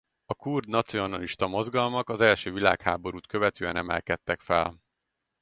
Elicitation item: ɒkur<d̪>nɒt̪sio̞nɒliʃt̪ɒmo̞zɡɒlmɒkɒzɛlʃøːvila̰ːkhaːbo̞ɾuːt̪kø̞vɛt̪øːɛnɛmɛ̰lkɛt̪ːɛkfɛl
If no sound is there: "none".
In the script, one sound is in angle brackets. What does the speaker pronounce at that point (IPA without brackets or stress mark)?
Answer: d̪